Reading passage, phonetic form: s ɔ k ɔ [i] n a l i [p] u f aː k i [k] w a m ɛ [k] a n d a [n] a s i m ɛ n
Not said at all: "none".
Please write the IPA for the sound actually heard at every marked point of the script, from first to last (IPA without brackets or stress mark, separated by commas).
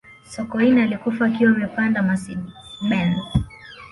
i, k, none, p, m